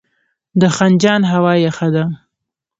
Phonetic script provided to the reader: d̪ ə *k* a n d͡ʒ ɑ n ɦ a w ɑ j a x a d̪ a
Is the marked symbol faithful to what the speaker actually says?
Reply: no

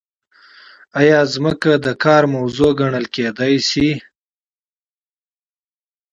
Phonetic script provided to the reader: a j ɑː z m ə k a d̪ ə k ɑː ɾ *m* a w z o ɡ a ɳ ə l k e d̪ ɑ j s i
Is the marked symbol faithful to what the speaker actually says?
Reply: yes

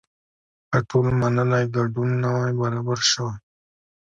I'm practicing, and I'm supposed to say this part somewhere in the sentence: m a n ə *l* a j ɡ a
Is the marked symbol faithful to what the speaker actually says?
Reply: yes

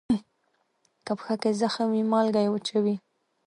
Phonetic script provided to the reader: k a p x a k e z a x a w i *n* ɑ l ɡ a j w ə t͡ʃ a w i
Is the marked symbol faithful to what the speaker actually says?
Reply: no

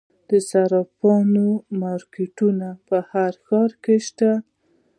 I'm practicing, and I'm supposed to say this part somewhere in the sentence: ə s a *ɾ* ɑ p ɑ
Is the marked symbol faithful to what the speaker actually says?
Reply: yes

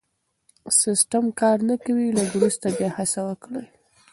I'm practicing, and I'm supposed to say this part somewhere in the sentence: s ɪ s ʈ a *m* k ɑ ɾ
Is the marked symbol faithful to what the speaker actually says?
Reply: yes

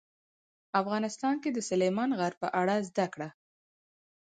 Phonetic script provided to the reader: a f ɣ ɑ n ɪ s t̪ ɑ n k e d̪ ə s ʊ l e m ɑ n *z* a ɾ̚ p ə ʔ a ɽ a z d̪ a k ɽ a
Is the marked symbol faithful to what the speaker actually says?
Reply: no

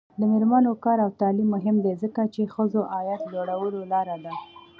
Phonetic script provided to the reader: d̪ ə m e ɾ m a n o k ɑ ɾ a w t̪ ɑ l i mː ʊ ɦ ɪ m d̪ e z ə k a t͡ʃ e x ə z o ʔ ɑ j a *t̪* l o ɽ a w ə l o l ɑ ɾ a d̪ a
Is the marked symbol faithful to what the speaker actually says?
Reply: yes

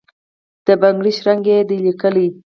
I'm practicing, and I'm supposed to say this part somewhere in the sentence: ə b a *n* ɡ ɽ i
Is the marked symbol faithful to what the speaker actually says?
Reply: no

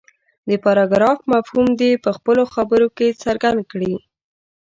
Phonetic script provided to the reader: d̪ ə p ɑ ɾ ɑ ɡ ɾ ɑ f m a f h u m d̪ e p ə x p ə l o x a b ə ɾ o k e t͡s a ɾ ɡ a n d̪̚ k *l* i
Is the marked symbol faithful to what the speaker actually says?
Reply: no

